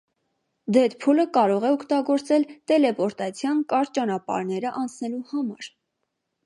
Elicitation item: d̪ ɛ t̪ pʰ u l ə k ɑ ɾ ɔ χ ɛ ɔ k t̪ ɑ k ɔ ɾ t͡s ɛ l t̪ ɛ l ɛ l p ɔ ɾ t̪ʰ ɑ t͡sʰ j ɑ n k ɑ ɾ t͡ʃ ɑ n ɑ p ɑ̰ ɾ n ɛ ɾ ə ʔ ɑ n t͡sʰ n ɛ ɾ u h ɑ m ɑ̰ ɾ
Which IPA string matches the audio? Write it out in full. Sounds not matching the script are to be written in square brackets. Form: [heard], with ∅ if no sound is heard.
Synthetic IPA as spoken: d̪ ɛ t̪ pʰ u l ə k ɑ ɾ ɔ [ʁ] ɛ ɔ k t̪ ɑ [ɡ] ɔ ɾ t͡s ɛ l t̪ ɛ l ɛ [∅] p ɔ ɾ [t̪] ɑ t͡sʰ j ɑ n k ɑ ɾ t͡ʃ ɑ n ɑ p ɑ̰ ɾ n ɛ ɾ ə ʔ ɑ n t͡sʰ n ɛ [l] u h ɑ m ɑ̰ ɾ